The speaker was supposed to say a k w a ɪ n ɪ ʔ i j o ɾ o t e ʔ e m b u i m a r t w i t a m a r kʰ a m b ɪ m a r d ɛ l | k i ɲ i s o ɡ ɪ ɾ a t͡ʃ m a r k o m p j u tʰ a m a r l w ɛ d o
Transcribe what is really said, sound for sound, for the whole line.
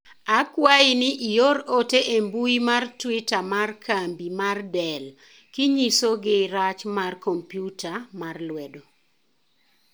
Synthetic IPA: a k w a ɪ n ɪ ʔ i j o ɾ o t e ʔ e m b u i m a r t w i t a m a r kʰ a m b i m a r d ɛ l | k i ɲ i s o ɡ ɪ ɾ a t͡ʃ m a r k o m p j u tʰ a m a r l w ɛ d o